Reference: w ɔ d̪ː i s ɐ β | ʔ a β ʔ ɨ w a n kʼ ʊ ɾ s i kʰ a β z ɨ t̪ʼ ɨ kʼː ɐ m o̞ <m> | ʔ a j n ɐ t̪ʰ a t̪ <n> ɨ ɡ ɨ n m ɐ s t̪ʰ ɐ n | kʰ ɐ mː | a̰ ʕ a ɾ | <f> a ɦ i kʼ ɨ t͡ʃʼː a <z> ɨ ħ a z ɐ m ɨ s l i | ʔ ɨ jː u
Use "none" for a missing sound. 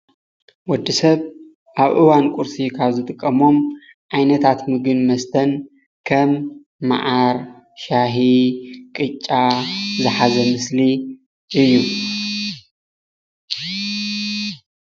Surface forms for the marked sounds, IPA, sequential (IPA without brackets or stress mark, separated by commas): m, m, ʃ, z